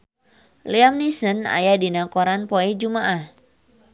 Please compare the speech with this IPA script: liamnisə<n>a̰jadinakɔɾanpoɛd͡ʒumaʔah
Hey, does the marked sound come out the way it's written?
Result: yes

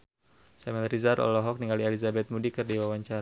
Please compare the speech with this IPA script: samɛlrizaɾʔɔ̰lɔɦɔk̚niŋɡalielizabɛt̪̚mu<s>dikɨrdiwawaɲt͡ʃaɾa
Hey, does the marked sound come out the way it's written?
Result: no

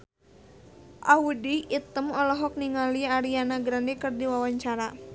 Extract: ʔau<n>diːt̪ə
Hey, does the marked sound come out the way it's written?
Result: no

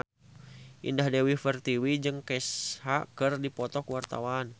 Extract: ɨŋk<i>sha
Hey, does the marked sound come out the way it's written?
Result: no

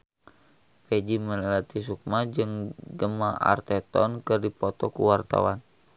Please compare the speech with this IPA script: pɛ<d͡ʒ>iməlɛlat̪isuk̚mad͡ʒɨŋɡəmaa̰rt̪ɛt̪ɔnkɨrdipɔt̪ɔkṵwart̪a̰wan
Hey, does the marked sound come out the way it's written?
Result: yes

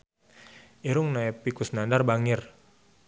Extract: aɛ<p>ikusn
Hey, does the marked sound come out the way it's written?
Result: yes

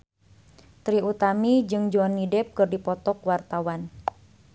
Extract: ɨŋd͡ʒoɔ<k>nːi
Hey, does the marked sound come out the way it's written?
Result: no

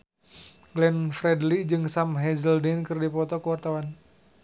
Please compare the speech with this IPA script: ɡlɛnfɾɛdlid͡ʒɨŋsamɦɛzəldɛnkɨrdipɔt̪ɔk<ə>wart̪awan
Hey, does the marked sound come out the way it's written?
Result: yes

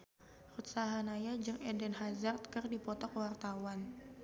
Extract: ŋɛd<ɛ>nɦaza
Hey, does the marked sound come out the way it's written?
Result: yes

